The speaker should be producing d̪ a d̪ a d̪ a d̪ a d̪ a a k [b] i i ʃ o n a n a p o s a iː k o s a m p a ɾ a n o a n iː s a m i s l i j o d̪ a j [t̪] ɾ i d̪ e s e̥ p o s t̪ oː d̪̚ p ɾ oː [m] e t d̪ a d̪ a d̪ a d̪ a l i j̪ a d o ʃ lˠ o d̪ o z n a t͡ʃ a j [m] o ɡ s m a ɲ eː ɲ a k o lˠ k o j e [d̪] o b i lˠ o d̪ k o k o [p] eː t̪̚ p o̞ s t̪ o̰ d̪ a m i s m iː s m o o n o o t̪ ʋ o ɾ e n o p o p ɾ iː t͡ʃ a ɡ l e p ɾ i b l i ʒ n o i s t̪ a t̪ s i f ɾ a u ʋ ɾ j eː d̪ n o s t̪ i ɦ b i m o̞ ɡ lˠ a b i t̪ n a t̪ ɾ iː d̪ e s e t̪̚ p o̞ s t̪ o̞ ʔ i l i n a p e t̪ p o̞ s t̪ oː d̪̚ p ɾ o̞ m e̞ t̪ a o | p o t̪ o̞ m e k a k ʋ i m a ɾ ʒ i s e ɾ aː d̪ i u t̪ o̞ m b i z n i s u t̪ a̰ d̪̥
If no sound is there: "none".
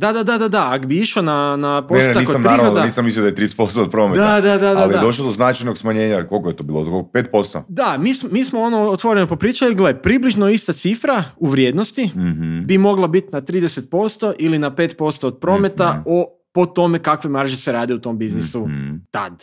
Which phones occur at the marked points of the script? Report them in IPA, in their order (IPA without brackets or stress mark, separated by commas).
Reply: b, t̪, m, n, t̪, p